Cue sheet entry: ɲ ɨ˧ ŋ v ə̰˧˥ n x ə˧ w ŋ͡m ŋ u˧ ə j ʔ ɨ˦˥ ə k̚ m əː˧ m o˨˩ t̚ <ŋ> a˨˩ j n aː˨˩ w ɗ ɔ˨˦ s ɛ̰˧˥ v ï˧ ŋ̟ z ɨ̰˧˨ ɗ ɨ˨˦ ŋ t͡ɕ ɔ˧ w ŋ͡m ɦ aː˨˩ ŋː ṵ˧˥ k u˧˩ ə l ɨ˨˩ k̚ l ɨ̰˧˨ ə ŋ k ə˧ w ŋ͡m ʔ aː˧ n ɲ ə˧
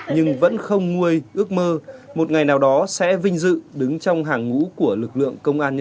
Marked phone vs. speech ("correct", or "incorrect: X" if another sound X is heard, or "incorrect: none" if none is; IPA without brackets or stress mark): correct